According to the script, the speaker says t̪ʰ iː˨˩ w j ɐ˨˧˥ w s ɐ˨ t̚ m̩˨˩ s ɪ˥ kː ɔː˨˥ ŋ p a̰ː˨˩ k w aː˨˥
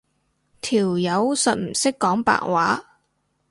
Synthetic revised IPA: t̪ʰ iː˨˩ w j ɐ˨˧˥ w s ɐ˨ t̚ m̩˨˩ s ɪ˥ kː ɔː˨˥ ŋ p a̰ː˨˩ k w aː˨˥